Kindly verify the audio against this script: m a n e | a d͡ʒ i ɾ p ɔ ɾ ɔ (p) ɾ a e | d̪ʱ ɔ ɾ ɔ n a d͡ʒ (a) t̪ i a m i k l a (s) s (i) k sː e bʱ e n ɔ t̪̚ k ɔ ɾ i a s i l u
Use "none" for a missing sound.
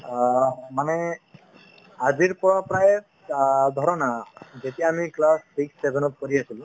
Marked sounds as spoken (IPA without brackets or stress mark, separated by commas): p, e, s, i